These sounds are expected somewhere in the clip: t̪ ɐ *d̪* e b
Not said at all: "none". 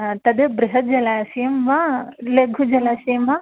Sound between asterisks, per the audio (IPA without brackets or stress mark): d̪